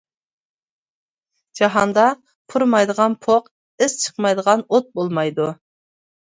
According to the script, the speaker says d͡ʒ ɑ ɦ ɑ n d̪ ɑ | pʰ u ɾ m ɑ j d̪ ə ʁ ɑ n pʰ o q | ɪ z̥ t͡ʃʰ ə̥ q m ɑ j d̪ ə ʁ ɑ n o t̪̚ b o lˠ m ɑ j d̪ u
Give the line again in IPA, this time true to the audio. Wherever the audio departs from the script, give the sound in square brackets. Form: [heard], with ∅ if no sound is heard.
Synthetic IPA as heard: d͡ʒ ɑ ɦ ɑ n d̪ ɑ | pʰ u ɾ m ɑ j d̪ ə ʁ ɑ n pʰ o q | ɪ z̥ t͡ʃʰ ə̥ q m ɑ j d̪ ə ʁ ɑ n o t̪̚ b o lˠ m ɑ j d̪ u